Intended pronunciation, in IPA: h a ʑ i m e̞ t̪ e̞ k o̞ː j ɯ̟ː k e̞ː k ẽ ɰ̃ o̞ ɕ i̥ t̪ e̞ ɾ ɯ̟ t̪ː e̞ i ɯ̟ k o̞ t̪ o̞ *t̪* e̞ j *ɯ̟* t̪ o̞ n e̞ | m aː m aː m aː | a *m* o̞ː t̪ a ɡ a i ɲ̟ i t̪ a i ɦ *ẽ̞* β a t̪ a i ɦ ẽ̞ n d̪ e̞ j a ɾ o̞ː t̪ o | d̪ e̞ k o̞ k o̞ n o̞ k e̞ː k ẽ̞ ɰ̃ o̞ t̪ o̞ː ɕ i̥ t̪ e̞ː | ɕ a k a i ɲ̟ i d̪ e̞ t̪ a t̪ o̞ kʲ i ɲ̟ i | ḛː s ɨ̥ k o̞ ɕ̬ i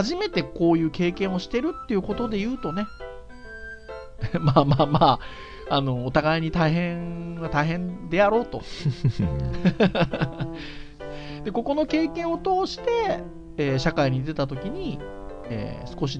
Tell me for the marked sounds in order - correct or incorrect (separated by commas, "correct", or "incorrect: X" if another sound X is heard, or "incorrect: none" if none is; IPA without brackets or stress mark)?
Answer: incorrect: d̪, incorrect: ɯ̟ː, incorrect: n, correct